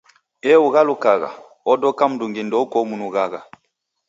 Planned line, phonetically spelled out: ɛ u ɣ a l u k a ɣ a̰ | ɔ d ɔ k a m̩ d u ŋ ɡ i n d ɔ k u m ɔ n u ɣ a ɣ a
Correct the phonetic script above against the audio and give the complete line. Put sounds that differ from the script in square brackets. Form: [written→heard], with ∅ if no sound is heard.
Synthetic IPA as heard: ɛ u ɣ a l u k a ɣ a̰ | ɔ d ɔ k a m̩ d u ŋ ɡ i n d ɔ k [u→ɔ] m [ɔ→u] n u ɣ a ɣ a